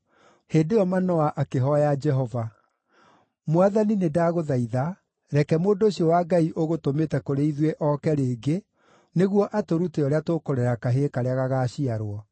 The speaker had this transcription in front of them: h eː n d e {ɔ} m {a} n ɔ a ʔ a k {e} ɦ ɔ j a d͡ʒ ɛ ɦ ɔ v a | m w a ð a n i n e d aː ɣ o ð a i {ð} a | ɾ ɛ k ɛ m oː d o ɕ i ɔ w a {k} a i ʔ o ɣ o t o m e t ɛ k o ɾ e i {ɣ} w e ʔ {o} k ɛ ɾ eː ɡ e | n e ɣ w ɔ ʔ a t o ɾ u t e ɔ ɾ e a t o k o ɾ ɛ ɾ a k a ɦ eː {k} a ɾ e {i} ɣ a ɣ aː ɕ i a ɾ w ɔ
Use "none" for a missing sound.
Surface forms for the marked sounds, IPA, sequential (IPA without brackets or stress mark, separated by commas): ɔ, a, e, ð, ɡ, ð, ɔ, k, a